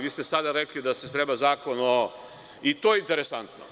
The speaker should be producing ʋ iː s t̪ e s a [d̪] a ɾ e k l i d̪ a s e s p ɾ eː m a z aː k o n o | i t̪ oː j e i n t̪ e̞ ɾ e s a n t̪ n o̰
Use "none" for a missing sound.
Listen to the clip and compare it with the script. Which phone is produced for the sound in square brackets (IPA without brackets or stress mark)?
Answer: d̪